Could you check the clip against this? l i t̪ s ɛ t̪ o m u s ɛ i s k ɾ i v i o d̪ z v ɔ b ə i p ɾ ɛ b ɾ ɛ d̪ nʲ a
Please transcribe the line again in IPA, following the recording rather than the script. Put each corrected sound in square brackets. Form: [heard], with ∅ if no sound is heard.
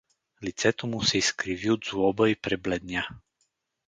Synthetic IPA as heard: l i t̪ s ɛ t̪ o m u s ɛ i s k ɾ i v i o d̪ z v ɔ b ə i p ɾ ɛ b [l] ɛ d̪ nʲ a